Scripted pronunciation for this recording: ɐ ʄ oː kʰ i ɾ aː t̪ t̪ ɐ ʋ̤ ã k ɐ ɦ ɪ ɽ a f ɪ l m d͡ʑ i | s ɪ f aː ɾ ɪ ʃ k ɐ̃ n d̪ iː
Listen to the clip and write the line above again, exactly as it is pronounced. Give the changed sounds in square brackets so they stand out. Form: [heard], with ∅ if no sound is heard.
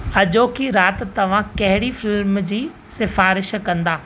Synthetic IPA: ɐ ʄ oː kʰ i ɾ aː t̪ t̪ ɐ ʋ̤ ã k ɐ ɦ ɪ ɽ [i] f ɪ l m d͡ʑ [iː] | s ɪ f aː ɾ ɪ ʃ k ɐ̃ n d̪ [aː]